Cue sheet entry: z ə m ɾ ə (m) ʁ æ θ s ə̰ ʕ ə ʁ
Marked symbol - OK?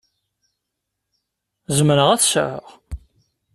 no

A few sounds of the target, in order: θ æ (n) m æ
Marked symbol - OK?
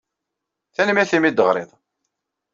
yes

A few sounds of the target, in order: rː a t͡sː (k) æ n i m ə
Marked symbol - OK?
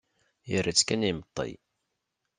yes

